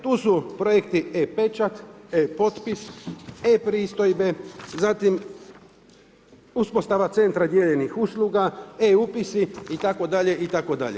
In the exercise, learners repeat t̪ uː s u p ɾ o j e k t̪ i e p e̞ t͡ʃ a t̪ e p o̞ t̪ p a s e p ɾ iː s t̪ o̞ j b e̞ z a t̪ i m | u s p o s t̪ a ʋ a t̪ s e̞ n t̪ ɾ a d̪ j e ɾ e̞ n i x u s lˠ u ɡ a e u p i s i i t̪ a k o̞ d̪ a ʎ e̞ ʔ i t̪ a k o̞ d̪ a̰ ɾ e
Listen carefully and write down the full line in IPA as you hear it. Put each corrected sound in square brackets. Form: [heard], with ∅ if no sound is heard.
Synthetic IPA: t̪ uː s u p ɾ o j e k t̪ i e p e̞ t͡ʃ a t̪ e p o̞ t̪ p [i] s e p ɾ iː s t̪ o̞ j b e̞ z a t̪ i m | u s p o s t̪ a ʋ a t̪ s e̞ n t̪ ɾ a d̪ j e [ʎ] e̞ n i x u s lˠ u ɡ a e u p i s i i t̪ a k o̞ d̪ a ʎ e̞ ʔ i t̪ a k o̞ d̪ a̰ [ʎ] e